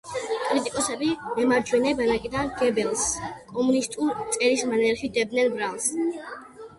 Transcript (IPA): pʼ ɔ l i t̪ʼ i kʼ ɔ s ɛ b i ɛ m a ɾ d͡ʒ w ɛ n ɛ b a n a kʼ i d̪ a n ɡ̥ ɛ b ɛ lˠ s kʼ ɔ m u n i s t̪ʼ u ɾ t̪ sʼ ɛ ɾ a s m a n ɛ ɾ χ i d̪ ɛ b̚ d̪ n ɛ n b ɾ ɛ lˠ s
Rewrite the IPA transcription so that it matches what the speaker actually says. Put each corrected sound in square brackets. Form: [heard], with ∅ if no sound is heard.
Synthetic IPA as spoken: pʼ ɔ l i t̪ʼ i kʼ ɔ s ɛ b i ɛ m a ɾ d͡ʒ w ɛ n ɛ b a n a kʼ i d̪ a n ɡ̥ ɛ b ɛ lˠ s kʼ ɔ m u n i s t̪ʼ u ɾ t̪ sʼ ɛ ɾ [i] s m a n ɛ ɾ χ i d̪ ɛ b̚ d̪ n ɛ n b ɾ [a] lˠ s